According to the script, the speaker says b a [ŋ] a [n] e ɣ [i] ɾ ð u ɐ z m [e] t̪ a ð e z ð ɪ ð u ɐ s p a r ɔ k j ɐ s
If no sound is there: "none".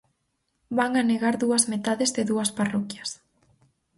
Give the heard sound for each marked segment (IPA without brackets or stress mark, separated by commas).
ŋ, n, a, e